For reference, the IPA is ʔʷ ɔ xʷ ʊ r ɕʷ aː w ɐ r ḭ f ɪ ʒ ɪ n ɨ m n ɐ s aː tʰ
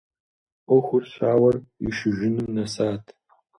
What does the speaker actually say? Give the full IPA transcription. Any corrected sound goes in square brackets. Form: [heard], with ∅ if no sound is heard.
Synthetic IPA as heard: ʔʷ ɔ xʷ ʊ r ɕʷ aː w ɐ r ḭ [ʃ] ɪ ʒ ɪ n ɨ m n ɐ s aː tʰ